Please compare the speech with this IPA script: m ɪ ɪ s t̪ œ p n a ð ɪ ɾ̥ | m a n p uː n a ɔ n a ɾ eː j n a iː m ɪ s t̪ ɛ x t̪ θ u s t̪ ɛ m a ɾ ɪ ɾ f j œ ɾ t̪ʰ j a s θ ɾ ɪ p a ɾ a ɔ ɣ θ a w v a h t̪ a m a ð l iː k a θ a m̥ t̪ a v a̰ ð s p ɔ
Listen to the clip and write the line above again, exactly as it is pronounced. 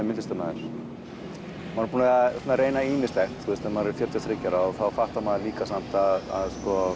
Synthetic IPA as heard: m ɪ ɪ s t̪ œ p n a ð ɪ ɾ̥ | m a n p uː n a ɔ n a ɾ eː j n a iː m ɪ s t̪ ɛ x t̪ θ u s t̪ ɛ m a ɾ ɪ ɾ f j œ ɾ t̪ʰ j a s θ ɾ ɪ c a ɾ a ɔ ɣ θ a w f a h t̪ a m a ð l iː k a s a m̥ t̪ a ð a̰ ð s k ɔ